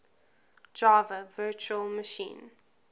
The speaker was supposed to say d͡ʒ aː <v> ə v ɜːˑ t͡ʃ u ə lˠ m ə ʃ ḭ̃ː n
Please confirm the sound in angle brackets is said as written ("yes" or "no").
yes